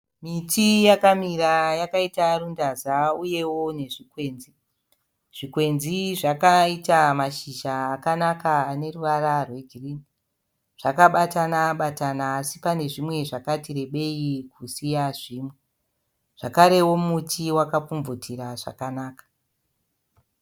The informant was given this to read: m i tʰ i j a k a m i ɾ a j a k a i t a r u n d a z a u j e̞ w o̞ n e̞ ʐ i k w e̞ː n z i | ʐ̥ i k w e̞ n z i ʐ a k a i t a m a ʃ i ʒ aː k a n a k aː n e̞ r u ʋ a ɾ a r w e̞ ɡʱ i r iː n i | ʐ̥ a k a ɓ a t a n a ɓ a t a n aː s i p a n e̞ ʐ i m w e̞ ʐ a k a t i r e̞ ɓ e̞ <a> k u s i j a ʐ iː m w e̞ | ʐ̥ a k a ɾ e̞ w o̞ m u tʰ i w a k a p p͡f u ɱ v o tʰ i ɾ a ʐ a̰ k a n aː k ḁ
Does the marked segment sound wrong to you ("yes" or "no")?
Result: yes